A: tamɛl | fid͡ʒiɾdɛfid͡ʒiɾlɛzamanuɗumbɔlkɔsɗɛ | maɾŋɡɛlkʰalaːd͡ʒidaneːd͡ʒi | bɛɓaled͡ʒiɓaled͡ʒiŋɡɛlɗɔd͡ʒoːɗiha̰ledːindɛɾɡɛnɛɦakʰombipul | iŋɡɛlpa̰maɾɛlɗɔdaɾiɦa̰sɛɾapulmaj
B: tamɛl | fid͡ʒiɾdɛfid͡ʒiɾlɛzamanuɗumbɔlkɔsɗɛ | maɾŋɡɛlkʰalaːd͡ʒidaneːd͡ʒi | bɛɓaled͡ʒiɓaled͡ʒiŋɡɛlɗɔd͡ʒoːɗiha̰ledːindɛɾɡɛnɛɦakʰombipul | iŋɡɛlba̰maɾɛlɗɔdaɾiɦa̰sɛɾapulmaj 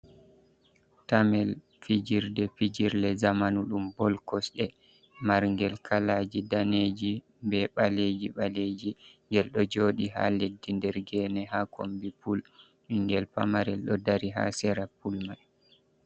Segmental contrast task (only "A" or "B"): A